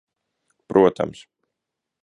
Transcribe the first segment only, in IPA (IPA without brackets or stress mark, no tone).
p